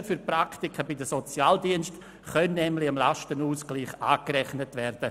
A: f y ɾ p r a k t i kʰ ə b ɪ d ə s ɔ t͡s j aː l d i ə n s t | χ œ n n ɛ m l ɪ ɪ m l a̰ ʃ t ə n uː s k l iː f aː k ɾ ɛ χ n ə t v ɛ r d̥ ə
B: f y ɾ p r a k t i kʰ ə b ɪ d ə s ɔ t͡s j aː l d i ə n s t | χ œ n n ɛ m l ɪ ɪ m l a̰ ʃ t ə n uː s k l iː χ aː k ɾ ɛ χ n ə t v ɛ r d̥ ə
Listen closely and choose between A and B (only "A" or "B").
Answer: B